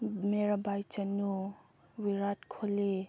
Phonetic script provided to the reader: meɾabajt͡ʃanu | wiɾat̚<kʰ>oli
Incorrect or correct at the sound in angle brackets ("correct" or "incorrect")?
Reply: correct